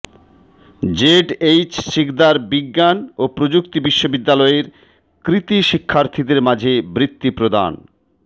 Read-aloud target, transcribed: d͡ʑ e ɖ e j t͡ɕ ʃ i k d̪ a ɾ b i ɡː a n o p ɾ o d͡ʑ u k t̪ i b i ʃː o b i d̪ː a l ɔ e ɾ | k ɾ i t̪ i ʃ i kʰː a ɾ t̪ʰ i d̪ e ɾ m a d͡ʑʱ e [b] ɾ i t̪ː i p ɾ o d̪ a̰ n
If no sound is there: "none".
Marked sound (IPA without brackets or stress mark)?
b